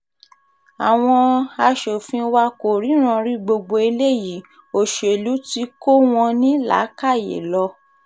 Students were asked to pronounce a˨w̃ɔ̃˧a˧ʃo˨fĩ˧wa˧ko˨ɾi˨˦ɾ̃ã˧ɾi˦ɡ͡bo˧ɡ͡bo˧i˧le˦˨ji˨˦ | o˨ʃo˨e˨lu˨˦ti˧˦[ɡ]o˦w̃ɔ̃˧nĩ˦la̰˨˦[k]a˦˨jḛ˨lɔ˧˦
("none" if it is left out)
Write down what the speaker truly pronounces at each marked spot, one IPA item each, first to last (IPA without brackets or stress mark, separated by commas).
k, k